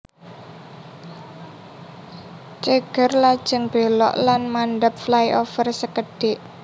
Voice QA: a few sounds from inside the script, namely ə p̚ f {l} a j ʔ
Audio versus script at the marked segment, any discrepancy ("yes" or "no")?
no